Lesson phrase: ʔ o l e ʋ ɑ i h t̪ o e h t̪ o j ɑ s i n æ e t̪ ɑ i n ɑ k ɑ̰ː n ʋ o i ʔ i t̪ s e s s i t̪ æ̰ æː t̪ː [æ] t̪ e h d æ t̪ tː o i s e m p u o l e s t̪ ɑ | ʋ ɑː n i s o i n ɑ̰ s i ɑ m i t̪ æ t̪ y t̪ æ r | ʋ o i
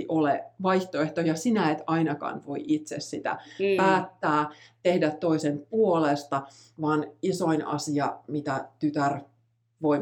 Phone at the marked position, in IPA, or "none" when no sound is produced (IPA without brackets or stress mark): æː